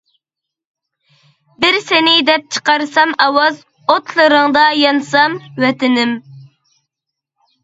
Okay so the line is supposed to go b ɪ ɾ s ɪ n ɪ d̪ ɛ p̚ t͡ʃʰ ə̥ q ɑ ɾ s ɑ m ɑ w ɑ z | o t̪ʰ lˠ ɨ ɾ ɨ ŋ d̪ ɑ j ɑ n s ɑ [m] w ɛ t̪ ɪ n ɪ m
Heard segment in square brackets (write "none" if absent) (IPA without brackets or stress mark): m